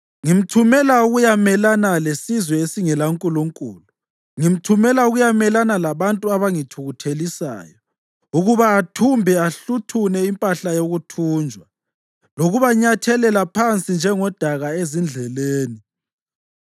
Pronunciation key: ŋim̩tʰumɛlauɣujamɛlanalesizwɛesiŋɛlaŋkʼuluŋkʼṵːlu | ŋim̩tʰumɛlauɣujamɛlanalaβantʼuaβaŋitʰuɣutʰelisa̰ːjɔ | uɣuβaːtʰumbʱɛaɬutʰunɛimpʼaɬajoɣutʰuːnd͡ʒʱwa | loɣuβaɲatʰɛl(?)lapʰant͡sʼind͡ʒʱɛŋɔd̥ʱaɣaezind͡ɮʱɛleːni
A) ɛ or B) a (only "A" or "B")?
A